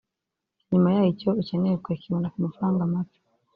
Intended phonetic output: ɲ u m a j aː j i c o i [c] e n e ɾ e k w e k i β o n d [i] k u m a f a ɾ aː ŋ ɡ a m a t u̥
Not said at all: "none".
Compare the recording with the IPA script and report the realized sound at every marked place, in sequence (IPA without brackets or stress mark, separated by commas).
c, a